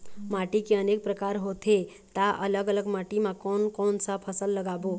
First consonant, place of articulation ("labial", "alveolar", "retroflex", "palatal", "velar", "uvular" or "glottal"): labial